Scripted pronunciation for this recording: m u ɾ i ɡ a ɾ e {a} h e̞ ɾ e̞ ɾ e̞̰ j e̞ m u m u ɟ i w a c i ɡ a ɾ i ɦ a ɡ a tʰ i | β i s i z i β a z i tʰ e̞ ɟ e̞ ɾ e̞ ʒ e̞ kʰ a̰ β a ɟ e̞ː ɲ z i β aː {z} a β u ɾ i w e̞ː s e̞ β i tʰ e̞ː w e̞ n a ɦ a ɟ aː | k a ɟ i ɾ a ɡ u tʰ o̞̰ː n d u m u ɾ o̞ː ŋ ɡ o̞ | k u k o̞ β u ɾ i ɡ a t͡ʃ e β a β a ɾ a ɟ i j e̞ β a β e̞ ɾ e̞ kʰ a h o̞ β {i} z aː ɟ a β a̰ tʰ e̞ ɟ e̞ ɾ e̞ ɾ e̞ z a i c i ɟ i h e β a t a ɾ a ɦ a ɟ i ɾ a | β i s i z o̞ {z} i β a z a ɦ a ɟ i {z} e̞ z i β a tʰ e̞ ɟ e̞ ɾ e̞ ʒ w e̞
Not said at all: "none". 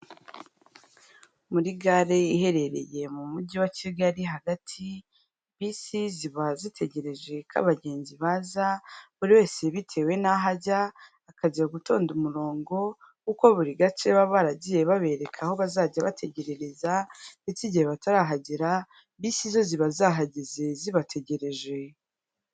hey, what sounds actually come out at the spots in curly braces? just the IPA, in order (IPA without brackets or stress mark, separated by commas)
i, z, a, z, z